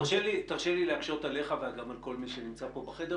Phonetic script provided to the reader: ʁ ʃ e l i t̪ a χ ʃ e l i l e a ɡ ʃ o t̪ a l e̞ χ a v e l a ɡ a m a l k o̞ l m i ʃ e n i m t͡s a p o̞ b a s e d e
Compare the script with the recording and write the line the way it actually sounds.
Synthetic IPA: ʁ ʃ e l i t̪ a ʁ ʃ e l i l e a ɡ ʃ o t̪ a l e̞ χ a v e a ɡ a m a l k o̞ l m i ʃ e n i m t͡s a p o̞ b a χ e d e